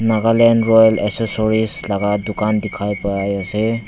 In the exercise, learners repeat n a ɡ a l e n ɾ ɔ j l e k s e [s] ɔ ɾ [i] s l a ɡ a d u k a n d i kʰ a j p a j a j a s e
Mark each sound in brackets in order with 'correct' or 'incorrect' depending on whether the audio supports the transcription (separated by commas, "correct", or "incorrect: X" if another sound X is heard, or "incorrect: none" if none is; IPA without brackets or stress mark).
correct, correct